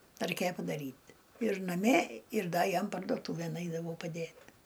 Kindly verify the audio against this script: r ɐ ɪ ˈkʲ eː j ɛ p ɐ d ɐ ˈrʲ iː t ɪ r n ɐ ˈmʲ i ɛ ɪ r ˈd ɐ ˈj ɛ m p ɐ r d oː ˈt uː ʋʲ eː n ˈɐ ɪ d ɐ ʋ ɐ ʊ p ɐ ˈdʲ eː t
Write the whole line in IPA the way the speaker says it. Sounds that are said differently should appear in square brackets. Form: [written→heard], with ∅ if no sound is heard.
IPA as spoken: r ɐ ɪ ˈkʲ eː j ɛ p ɐ d ɐ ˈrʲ iː t ɪ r n ɐ ˈmʲ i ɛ ɪ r ˈd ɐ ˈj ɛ m p ɐ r d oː ˈt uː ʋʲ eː n ˈɐ ɪ d ɐ ʋ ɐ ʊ p ɐ ˈdʲ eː t